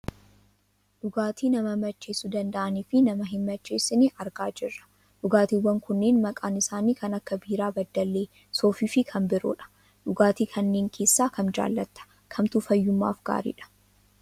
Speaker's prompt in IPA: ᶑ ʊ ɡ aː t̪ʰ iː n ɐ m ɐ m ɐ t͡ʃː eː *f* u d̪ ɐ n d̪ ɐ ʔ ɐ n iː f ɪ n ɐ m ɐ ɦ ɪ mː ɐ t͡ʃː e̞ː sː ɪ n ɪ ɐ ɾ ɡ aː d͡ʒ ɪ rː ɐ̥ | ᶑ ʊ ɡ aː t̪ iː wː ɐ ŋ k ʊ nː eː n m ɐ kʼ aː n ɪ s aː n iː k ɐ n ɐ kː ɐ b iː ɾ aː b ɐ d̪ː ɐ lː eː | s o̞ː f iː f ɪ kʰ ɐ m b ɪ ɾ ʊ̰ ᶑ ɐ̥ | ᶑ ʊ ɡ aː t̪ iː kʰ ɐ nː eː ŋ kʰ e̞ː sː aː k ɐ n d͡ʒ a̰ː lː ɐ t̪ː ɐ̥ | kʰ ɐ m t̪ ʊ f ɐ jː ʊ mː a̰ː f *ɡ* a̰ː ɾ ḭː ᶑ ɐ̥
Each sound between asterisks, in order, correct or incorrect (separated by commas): incorrect, correct